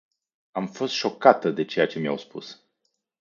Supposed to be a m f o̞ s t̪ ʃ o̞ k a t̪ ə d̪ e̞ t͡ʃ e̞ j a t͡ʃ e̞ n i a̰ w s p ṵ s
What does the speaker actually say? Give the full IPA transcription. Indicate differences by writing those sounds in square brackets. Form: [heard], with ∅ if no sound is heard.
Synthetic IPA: a m f o̞ s t̪ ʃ o̞ k a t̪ ə d̪ e̞ t͡ʃ e̞ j a t͡ʃ e̞ [m] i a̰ w s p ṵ s